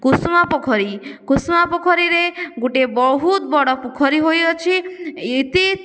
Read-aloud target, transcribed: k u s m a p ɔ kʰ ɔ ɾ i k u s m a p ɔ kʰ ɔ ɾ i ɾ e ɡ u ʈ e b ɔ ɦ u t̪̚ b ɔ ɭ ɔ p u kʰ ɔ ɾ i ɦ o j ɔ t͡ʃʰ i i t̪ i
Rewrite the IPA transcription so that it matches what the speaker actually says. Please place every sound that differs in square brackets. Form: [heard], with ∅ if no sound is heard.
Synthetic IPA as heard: k u s m a p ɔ kʰ ɔ ɾ i k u s m a p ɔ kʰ ɔ ɾ i ɾ e ɡ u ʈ e b ɔ ɦ u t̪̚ b ɔ [ɽ] ɔ p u kʰ ɔ ɾ i ɦ o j ɔ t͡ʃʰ i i t̪ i